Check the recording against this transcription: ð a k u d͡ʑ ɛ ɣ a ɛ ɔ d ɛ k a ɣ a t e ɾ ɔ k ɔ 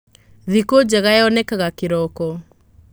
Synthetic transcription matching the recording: ð i k o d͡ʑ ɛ ɣ a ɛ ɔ n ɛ k a ɣ a k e ɾ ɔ k ɔ